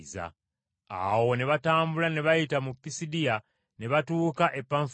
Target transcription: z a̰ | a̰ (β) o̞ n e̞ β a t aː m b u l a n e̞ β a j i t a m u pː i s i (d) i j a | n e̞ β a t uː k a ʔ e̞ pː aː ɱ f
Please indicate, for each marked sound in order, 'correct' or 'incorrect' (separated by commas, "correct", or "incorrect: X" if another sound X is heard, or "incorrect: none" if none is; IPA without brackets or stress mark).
incorrect: w, correct